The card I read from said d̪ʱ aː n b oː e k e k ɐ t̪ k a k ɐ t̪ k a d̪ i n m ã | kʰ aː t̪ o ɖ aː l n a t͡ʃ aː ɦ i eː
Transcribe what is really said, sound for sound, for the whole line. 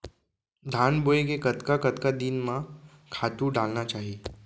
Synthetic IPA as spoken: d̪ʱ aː n b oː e k e k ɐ t̪ k a k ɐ t̪ k a d̪ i n m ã | kʰ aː t̪ u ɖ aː l n a t͡ʃ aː ɦ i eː